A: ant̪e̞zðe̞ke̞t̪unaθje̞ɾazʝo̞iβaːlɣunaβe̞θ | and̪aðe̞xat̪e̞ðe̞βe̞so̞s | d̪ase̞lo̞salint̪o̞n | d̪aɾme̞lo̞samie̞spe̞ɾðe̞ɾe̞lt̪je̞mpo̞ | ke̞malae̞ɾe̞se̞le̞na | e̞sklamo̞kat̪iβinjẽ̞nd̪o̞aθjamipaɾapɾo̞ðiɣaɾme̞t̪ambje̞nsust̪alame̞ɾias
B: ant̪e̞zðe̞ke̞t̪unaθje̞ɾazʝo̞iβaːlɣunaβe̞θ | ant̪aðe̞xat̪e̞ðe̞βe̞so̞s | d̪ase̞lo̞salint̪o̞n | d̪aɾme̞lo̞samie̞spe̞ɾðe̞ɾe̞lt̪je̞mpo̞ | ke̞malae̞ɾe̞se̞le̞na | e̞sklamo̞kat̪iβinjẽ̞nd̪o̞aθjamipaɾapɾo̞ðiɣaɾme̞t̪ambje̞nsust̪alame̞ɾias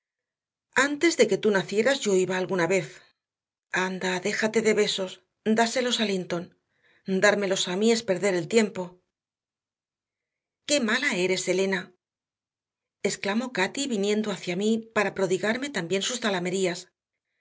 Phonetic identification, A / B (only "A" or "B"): A